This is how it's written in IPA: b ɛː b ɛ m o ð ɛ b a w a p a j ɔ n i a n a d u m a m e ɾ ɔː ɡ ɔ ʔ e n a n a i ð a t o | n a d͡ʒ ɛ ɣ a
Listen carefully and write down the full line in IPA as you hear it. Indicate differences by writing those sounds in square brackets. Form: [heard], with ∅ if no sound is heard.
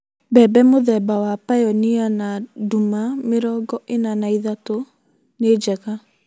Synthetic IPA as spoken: b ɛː b ɛ m o ð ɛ b a w a p a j ɔ n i a n a d u m a m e ɾ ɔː ɡ ɔ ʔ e n a n a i ð a t o | n [e] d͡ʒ ɛ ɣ a